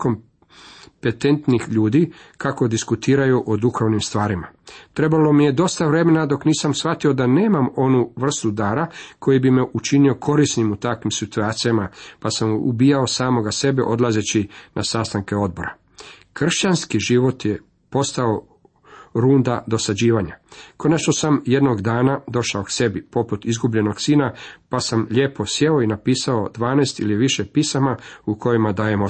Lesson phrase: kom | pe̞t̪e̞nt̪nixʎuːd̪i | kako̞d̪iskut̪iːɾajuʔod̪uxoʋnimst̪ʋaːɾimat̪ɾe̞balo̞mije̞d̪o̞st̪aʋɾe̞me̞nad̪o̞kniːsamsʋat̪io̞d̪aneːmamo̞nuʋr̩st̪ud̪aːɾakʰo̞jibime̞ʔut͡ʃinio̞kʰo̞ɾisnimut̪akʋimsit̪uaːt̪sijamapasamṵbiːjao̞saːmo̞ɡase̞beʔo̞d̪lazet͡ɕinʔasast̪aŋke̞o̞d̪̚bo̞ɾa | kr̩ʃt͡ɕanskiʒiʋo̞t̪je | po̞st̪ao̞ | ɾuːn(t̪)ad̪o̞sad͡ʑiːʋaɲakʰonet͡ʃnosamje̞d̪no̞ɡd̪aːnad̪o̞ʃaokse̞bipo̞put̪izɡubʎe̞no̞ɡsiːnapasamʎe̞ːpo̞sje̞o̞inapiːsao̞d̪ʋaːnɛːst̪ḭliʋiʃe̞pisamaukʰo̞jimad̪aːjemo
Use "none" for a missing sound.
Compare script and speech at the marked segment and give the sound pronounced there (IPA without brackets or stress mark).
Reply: d̪